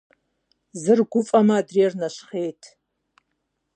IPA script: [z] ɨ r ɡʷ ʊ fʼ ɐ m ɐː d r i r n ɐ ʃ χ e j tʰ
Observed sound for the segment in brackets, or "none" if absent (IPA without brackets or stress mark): z